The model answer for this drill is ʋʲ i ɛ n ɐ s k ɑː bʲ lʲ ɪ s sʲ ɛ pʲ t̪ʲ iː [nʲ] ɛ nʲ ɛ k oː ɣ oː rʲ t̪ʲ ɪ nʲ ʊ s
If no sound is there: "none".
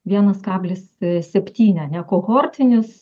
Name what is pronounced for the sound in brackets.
nʲ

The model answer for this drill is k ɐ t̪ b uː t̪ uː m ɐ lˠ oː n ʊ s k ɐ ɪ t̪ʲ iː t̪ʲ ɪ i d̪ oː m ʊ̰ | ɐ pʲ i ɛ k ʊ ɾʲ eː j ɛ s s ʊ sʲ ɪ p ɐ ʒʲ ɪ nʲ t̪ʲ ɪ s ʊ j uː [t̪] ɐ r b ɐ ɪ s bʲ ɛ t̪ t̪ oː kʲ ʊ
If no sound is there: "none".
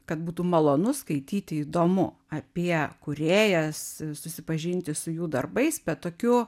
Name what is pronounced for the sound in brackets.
d̪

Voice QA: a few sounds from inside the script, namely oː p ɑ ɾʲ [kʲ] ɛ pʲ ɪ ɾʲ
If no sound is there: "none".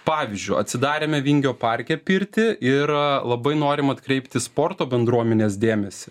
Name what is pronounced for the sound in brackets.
kʲ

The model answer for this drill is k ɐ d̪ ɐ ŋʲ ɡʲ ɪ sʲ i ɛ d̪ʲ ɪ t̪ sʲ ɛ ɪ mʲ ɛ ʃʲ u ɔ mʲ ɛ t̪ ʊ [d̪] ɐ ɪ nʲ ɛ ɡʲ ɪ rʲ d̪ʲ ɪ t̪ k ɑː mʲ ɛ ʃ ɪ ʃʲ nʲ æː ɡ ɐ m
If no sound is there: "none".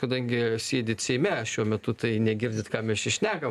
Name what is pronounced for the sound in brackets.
t̪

